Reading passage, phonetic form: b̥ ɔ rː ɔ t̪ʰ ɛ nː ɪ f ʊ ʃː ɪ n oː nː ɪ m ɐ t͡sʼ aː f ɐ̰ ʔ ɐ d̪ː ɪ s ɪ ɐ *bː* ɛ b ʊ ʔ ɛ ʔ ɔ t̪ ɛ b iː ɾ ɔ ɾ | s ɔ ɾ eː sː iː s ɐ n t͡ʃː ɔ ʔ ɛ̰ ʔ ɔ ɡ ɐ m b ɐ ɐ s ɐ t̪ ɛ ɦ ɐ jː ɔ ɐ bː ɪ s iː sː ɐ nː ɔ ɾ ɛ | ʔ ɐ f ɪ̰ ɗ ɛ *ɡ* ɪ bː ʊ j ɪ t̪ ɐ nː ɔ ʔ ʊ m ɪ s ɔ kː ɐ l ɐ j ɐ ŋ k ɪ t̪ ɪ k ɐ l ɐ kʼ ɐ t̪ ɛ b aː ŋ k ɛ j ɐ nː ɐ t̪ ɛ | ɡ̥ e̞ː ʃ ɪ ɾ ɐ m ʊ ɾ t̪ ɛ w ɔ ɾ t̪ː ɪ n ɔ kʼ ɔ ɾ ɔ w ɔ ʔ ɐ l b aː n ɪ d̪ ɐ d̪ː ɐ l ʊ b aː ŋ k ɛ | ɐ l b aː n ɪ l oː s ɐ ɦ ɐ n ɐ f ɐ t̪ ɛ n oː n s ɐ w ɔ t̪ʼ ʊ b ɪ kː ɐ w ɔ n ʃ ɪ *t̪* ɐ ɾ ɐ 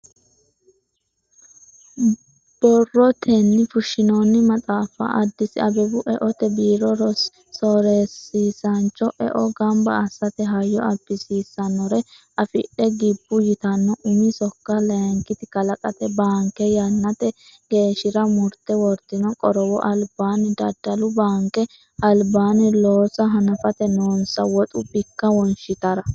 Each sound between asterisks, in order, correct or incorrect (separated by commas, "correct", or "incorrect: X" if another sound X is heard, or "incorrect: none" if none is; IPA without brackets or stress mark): incorrect: b, correct, correct